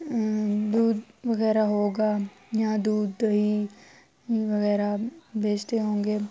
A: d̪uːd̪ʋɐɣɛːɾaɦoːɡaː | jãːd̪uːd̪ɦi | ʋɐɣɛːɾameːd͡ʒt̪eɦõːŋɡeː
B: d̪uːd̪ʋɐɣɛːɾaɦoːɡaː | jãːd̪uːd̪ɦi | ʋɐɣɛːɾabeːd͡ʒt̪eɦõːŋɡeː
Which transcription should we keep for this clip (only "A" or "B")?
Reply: B